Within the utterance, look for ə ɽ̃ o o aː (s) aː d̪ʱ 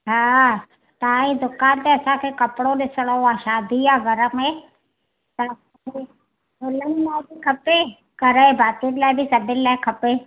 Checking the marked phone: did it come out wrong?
yes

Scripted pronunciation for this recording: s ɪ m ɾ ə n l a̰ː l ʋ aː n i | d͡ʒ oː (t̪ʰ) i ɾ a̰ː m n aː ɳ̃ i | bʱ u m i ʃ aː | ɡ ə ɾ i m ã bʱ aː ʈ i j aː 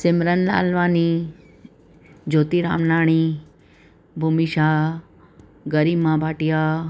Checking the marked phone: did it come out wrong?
yes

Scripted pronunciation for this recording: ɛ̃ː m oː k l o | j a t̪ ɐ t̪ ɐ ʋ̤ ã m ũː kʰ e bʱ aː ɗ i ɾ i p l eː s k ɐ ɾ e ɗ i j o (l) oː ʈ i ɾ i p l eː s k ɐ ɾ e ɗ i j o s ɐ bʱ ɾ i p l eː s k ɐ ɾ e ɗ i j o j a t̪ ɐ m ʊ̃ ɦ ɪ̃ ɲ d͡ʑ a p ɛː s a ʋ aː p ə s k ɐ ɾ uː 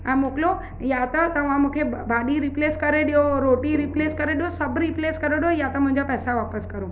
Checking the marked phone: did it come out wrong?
yes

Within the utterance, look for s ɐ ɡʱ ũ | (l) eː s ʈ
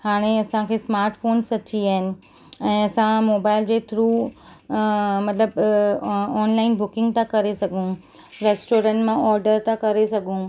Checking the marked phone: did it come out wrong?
yes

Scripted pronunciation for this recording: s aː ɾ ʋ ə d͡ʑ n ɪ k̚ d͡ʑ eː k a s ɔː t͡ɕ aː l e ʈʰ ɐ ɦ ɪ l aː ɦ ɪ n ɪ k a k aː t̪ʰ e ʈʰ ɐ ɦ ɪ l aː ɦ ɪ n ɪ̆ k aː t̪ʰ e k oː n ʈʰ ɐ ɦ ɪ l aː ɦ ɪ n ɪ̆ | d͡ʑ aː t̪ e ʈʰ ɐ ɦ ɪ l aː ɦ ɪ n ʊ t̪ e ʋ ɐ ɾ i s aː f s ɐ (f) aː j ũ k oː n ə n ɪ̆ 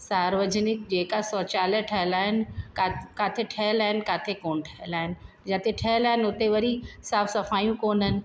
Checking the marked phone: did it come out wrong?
no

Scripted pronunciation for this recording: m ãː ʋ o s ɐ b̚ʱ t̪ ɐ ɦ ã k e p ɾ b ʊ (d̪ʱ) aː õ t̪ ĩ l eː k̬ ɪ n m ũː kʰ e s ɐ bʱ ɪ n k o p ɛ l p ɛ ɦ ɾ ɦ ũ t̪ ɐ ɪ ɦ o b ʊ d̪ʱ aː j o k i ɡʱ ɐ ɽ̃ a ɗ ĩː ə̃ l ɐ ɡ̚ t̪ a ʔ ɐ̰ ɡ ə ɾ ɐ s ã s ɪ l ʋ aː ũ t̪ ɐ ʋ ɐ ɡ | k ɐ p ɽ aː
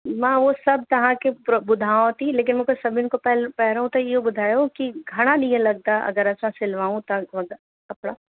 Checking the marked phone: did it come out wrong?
no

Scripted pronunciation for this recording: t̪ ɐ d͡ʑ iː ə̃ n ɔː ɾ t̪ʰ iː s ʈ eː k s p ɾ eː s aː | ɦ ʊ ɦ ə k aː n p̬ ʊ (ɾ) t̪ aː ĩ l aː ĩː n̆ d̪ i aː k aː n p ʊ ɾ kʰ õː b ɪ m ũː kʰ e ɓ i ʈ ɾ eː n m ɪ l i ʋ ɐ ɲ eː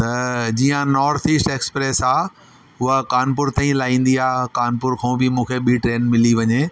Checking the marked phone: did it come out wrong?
no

